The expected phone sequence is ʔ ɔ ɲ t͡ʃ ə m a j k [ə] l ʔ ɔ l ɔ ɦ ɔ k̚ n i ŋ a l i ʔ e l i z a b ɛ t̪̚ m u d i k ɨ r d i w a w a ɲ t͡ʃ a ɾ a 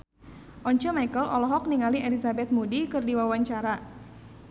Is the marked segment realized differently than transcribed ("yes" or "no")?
no